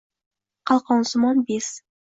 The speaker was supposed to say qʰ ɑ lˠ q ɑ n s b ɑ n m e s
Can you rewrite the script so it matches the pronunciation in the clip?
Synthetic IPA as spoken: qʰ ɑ lˠ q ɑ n s m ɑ n b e s